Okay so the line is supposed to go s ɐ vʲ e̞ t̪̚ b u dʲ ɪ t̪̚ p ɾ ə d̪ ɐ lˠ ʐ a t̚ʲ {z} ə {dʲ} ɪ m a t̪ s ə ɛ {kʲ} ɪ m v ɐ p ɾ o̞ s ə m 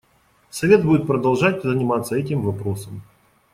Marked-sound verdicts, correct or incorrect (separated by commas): correct, incorrect, incorrect